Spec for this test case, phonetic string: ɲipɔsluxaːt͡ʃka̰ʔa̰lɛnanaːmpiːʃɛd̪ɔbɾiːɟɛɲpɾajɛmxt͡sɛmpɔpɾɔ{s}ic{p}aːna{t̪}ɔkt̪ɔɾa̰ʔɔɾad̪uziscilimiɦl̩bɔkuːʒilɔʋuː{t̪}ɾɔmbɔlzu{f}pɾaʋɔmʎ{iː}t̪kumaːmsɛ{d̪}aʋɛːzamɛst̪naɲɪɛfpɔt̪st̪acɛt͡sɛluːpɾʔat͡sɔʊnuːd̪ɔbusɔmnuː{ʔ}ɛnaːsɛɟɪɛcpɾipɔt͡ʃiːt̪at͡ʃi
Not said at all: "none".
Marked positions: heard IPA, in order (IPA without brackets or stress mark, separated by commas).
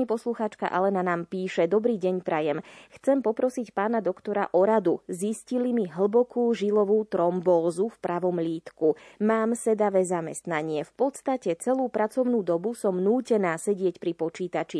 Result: s, p, d̪, t̪, f, iː, d̪, c